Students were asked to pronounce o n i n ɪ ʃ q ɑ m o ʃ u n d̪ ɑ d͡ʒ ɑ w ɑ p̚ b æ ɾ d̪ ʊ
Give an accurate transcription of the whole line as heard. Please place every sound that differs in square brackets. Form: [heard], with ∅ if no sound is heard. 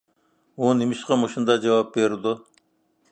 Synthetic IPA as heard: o n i [m] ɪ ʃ q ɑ m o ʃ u n d̪ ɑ d͡ʒ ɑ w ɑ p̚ b [e] ɾ d̪ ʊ